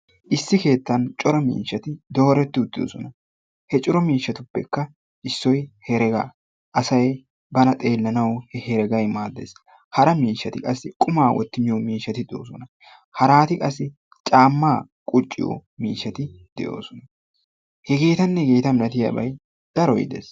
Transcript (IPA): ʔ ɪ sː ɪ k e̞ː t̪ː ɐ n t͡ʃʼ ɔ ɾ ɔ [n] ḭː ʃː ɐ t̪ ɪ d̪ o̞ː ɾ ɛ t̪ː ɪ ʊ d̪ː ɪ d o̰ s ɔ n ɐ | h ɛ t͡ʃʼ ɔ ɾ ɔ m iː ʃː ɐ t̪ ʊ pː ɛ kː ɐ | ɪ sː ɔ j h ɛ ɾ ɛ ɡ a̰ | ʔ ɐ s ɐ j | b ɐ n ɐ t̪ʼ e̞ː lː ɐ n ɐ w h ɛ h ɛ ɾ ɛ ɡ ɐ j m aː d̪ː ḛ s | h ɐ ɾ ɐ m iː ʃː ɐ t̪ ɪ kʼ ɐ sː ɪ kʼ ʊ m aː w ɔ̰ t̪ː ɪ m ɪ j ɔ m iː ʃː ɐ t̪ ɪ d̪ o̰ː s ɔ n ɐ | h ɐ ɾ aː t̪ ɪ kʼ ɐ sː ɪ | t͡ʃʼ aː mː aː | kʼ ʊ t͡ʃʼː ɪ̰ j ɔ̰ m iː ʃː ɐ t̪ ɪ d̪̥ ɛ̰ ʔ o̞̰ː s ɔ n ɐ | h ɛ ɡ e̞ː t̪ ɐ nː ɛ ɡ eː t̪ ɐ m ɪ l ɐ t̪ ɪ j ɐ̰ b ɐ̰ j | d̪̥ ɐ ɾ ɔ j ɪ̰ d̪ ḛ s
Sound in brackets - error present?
yes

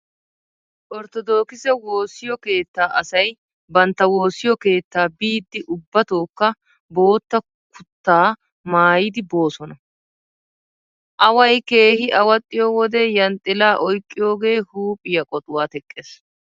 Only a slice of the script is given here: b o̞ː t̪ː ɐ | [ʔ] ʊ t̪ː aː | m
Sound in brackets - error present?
yes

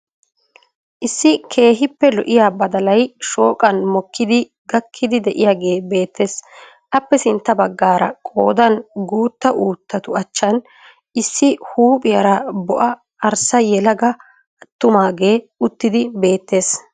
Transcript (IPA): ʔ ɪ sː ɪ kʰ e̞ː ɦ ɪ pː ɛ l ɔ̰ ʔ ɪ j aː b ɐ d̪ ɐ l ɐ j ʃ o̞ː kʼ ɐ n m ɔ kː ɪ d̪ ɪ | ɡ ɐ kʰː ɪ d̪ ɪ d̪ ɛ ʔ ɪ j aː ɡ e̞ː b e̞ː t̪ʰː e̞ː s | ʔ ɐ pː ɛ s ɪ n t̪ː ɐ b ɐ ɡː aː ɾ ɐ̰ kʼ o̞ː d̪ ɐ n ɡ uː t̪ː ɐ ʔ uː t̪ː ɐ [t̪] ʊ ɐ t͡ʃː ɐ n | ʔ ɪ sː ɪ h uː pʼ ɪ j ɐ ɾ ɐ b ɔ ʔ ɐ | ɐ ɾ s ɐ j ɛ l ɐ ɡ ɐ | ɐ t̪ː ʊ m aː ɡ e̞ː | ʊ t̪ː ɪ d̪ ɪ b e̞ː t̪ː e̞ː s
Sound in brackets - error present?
no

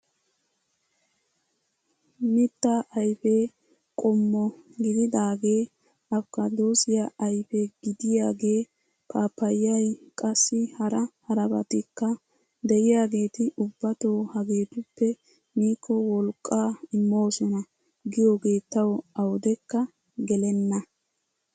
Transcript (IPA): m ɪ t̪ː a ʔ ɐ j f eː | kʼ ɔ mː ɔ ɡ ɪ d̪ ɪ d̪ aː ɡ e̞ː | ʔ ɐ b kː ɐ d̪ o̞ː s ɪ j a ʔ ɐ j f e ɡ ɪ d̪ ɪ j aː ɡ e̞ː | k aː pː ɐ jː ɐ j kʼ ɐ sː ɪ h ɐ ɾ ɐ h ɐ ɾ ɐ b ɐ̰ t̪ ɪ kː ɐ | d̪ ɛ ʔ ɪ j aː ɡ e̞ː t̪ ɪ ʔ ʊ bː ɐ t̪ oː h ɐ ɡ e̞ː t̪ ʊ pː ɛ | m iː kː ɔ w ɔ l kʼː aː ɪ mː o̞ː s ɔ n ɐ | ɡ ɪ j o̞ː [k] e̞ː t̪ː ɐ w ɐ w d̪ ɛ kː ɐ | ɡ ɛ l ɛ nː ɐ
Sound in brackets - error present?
yes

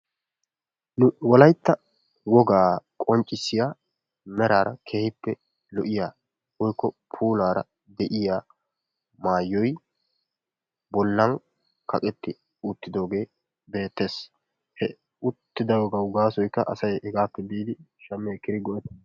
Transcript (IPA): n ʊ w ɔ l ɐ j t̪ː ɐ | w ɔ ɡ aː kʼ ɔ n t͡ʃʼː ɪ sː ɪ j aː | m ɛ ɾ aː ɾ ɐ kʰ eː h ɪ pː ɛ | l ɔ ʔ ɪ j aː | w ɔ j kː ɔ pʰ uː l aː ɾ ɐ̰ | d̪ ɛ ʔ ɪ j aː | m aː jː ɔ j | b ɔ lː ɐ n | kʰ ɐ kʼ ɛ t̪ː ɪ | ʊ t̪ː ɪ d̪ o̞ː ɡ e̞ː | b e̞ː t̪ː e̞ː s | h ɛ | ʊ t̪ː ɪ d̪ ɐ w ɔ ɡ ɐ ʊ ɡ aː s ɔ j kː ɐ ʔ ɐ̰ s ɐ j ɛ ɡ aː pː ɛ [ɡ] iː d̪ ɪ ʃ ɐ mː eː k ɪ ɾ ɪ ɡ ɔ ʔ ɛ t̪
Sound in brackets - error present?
yes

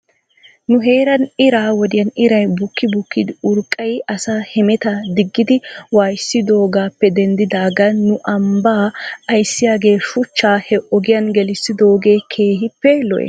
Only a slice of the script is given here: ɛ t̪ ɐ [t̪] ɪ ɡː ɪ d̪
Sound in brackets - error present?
yes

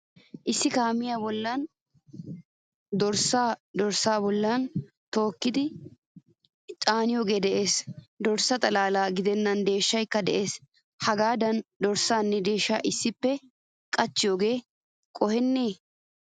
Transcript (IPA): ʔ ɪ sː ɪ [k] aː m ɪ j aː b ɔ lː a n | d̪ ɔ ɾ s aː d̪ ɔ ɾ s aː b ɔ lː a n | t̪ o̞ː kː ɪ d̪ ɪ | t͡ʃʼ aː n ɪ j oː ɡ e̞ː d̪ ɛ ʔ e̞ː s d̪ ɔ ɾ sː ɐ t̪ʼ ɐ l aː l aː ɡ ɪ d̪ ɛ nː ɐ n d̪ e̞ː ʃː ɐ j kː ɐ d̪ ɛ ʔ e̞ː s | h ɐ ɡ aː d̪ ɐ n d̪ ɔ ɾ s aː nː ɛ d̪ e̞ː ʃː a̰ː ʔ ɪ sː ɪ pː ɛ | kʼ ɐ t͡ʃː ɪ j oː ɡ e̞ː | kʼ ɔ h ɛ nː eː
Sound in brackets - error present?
no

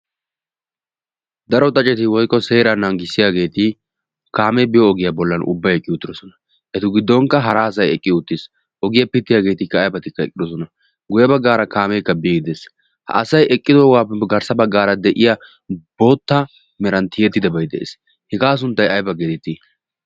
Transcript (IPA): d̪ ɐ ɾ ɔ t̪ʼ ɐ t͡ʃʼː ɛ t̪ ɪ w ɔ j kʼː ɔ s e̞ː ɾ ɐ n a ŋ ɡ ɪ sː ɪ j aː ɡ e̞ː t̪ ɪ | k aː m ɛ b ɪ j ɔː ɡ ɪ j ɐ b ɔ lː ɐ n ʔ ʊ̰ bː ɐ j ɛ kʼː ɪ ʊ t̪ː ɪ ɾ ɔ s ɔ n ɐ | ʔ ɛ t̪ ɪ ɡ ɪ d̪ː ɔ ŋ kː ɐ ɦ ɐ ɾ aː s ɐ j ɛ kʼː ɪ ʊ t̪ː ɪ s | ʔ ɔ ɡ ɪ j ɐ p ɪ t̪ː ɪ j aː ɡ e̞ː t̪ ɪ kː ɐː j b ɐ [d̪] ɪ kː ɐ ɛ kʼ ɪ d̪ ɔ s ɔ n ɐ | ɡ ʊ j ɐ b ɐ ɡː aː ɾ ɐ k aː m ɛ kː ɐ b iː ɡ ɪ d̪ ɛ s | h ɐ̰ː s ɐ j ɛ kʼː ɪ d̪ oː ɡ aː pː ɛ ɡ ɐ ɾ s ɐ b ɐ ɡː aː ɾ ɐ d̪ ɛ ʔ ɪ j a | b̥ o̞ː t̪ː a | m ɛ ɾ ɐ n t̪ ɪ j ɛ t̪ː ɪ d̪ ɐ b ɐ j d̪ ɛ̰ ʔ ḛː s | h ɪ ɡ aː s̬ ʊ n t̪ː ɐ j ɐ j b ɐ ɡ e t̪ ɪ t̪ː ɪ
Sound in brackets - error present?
yes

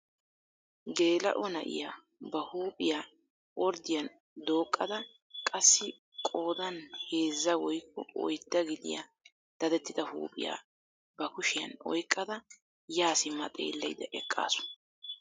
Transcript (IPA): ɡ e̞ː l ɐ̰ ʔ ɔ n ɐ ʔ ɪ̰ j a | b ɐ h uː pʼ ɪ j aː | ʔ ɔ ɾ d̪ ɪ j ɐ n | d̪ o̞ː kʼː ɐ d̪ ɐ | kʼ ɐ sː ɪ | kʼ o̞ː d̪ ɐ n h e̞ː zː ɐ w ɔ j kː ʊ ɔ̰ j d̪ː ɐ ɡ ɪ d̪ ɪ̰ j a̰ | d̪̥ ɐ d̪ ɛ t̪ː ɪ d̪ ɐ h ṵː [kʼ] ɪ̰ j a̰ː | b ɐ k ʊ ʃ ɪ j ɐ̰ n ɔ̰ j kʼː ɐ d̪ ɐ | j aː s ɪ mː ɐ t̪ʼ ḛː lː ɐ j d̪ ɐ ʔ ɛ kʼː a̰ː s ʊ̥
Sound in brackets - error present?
yes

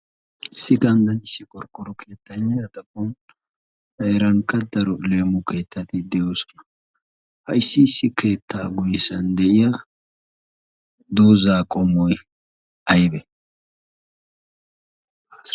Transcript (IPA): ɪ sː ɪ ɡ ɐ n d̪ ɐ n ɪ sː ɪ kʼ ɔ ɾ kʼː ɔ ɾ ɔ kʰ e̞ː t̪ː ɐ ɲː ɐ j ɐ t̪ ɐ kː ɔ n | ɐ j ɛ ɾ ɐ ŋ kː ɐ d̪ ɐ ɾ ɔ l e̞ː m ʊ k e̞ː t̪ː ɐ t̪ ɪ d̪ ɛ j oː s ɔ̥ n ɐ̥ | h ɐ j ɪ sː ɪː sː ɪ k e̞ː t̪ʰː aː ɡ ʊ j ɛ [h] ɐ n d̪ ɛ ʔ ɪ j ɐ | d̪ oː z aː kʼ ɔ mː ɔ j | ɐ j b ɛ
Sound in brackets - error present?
yes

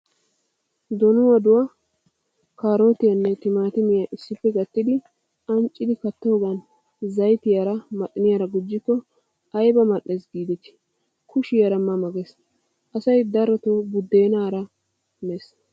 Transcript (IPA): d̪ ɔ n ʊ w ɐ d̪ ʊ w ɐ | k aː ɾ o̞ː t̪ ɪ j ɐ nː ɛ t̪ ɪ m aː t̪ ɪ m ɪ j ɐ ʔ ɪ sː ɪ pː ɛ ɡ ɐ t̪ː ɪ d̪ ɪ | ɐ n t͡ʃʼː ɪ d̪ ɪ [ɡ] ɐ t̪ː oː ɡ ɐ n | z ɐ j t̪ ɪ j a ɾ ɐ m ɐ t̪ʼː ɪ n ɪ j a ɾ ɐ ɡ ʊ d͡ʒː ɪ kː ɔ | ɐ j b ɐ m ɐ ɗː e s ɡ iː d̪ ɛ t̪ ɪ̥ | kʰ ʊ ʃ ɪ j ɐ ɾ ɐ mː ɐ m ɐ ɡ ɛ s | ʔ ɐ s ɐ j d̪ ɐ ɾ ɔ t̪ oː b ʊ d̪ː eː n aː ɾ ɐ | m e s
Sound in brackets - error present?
yes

